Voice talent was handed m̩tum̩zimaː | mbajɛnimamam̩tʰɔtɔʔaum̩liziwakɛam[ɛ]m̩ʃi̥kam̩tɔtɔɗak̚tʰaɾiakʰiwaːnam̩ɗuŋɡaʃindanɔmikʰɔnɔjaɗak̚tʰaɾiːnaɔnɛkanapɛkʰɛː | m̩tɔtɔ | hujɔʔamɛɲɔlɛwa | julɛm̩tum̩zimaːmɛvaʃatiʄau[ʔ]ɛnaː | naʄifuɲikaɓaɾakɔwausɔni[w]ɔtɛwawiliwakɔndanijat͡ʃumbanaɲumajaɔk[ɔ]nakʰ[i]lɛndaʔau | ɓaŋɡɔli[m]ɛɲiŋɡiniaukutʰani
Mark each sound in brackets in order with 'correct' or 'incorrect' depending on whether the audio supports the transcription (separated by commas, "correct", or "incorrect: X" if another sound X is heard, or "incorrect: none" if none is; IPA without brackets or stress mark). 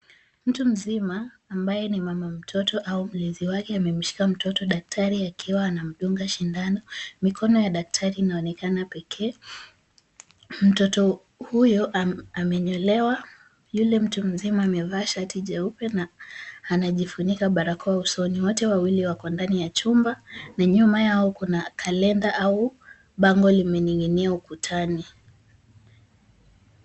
correct, incorrect: p, correct, incorrect: u, incorrect: a, correct